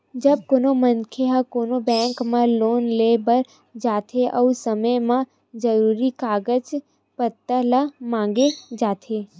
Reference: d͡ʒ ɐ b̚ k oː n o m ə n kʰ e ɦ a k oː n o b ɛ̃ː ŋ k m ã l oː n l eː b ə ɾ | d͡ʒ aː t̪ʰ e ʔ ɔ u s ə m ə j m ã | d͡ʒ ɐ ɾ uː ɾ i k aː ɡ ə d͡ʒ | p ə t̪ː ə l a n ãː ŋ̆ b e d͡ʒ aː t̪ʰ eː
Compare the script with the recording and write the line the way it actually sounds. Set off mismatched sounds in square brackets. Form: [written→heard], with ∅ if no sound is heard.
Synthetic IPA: d͡ʒ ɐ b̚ k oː n o m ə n kʰ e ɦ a k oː n o b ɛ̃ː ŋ k m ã l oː n l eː b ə ɾ | d͡ʒ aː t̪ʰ e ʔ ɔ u s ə m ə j m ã | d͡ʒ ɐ ɾ uː ɾ i k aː ɡ ə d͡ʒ | p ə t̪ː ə l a [n→m] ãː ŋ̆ [b→ɡ] e d͡ʒ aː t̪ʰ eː